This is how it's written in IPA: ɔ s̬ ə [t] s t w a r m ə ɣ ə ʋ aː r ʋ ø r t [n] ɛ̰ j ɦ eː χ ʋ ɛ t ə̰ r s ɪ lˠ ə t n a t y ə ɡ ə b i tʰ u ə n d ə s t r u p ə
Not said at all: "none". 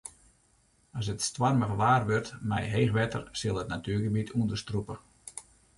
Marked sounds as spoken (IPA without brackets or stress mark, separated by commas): t, m